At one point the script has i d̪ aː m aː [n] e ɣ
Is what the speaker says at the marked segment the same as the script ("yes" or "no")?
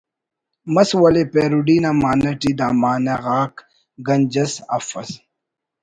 yes